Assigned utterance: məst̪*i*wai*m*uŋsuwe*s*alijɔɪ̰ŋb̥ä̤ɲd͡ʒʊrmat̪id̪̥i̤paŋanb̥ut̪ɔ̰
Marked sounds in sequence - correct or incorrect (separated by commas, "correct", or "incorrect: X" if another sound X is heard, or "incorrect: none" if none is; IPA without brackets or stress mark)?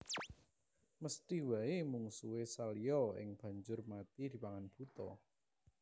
correct, correct, correct